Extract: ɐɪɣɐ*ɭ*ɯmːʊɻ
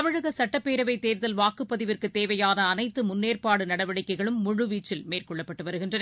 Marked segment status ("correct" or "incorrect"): correct